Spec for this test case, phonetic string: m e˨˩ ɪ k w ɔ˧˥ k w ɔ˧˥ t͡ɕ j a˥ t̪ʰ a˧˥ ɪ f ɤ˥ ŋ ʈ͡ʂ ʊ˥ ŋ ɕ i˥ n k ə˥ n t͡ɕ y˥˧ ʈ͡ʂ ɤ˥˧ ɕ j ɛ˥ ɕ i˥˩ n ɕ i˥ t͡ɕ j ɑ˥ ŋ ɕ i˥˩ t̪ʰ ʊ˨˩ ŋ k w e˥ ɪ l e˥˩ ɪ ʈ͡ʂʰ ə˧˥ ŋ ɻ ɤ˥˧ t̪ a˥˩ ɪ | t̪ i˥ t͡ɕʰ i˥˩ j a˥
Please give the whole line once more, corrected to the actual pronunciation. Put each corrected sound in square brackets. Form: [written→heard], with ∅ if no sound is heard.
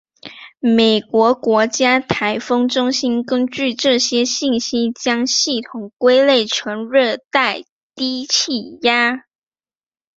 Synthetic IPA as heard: m e˨˩ ɪ k w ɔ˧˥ k w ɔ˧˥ t͡ɕ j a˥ t̪ʰ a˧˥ ɪ f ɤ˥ ŋ ʈ͡ʂ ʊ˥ ŋ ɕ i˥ n k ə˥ n t͡ɕ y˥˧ ʈ͡ʂ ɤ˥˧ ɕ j ɛ˥ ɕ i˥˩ n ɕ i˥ t͡ɕ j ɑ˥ ŋ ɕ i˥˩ t̪ʰ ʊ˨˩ ŋ k w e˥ ɪ l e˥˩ ɪ ʈ͡ʂʰ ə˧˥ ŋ ɻ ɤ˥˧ t̪ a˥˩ ɪ | t̪ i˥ t͡ɕʰ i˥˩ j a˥